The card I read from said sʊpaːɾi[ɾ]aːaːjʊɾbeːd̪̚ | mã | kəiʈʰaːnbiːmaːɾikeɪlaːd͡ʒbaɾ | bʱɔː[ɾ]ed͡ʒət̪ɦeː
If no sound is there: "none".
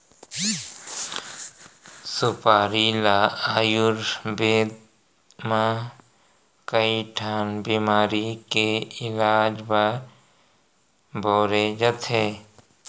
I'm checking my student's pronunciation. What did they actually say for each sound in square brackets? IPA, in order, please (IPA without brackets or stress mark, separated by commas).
l, ɾ